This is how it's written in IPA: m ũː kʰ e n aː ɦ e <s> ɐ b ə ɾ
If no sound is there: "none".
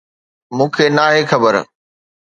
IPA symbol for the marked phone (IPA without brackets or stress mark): x